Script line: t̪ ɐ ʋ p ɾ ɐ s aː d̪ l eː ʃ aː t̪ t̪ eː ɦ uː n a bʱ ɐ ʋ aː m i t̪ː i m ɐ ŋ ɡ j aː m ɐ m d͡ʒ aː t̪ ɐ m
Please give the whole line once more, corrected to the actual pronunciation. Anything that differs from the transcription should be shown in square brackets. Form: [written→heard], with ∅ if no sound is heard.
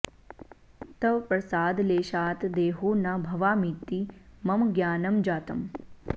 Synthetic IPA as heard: t̪ ɐ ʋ p ɾ ɐ s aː d̪ l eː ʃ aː t̪ [t̪→d̪] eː ɦ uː n a bʱ ɐ ʋ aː m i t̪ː i m ɐ [ŋ→m] ɡ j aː [m→n] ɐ m d͡ʒ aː t̪ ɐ m